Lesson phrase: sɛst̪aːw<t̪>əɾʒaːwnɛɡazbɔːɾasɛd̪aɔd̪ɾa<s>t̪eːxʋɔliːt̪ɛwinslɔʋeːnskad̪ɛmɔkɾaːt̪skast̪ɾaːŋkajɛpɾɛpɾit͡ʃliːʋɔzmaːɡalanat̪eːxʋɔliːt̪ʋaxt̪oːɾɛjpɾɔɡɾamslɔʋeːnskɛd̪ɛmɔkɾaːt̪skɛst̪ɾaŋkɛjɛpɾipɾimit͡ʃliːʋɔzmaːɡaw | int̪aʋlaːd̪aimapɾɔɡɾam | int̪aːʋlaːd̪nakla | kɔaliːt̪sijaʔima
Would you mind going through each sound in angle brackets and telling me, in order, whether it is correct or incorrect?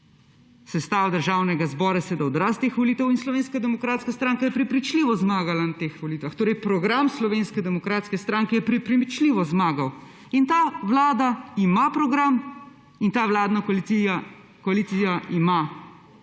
incorrect: d̪, correct

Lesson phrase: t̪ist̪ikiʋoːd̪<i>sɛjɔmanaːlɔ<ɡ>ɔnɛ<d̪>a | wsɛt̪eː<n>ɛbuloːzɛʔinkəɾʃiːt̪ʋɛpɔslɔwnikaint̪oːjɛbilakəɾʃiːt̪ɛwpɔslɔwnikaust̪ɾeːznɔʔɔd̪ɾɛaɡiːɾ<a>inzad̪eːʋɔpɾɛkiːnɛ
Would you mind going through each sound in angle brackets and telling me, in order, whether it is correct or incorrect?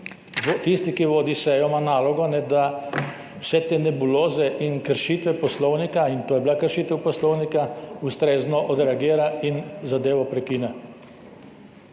correct, correct, correct, correct, correct

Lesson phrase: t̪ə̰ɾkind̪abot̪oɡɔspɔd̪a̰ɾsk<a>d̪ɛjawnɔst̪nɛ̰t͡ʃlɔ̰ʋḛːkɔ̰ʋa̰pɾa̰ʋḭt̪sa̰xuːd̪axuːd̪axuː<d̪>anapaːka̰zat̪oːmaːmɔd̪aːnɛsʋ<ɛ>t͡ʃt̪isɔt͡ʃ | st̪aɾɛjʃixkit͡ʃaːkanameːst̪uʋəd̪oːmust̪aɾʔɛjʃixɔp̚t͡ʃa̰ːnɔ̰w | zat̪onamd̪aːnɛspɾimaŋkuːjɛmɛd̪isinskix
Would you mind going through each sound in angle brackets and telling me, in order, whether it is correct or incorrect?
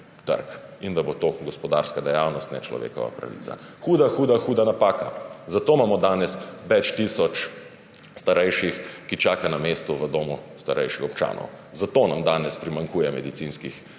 correct, correct, correct

